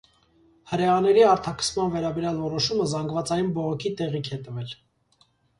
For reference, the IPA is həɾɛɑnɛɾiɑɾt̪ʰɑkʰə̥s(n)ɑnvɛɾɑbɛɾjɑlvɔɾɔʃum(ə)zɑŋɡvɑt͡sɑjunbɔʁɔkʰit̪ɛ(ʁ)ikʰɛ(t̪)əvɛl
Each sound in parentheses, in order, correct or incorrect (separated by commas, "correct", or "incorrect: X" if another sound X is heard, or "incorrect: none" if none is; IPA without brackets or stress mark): incorrect: m, correct, correct, correct